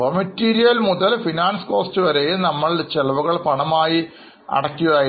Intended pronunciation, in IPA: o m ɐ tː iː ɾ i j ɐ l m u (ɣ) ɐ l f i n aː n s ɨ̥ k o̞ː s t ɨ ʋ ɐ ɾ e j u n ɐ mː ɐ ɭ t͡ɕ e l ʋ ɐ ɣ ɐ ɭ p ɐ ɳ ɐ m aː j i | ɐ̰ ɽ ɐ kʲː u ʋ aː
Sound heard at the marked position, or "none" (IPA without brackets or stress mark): ð